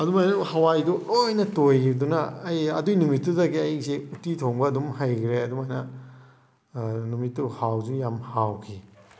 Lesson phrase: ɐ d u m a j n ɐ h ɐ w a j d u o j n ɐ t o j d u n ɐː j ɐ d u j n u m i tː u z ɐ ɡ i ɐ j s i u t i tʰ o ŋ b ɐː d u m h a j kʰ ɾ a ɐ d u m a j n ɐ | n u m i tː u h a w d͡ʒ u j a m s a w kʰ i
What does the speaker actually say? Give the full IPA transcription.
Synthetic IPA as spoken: ɐ d u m a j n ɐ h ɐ w a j d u o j n ɐ t o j d u n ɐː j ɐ d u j n u m i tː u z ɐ ɡ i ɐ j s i u t i tʰ o ŋ b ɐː d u m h a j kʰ ɾ e ɐ d u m a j n ɐ | n u m i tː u h a w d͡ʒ u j a m h a w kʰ i